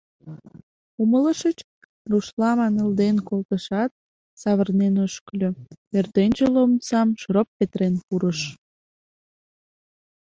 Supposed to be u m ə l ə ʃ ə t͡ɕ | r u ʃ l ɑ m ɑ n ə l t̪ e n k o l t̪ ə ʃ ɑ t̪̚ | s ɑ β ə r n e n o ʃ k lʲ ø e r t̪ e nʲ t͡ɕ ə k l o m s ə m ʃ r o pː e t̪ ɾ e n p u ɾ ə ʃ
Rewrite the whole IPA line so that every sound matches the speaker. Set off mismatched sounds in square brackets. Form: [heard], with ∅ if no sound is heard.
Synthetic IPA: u m ə l ə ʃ ə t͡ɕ | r u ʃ l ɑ m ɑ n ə l [d̪] e n k o l t̪ ə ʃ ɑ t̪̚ | s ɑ β ə r n e n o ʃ k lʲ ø e r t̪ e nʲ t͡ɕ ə [∅] l o m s [ɑ] m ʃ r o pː e t̪ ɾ e n p u ɾ ə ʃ